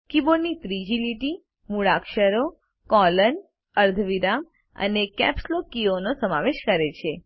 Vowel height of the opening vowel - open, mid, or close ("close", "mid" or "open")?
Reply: close